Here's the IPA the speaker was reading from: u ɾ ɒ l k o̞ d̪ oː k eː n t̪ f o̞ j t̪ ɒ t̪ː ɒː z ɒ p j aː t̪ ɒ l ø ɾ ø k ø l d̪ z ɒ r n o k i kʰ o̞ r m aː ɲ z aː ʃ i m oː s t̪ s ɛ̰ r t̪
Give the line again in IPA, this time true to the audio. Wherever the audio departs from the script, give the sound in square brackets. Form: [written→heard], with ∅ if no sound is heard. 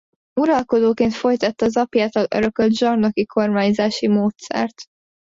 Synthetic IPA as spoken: u ɾ ɒ l k o̞ d̪ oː k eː n t̪ f o̞ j t̪ ɒ t̪ː ɒː z ɒ p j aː t̪ ɒ l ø ɾ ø k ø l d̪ [z→ʒ] ɒ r n o k i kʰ o̞ r m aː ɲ z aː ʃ i m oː [s→∅] t̪ s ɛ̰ r t̪